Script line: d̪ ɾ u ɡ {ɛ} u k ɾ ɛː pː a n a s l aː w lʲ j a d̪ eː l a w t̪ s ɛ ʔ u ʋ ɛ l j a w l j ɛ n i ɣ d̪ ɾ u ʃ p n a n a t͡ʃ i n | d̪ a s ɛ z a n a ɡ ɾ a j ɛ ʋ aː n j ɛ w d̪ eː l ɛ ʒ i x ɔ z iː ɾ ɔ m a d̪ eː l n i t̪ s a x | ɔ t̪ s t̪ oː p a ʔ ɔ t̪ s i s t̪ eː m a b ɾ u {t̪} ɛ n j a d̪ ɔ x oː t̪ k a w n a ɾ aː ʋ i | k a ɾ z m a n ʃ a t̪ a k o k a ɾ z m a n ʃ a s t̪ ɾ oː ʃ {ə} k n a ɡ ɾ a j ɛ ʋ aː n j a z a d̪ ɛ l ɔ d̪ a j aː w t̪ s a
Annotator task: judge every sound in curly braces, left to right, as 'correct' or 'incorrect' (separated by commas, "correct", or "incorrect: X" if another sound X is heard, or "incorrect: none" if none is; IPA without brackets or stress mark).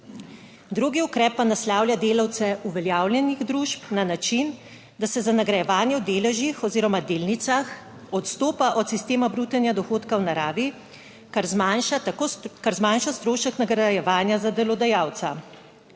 incorrect: i, correct, correct